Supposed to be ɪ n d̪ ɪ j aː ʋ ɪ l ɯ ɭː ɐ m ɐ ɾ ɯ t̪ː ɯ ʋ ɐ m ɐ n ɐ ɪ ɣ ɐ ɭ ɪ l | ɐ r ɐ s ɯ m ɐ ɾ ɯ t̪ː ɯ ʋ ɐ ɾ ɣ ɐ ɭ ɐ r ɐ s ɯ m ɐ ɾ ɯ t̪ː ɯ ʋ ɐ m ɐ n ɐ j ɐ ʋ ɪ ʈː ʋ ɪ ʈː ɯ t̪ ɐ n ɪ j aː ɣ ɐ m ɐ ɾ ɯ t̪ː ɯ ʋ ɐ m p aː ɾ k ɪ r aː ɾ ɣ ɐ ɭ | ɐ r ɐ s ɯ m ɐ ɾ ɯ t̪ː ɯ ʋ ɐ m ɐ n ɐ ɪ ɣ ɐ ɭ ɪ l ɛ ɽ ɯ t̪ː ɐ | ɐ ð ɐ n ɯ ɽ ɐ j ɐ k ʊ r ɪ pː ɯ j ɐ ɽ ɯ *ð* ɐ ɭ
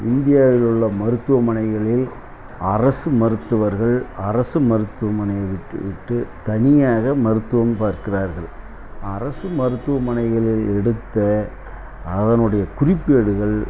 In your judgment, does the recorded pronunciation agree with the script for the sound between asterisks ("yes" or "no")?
no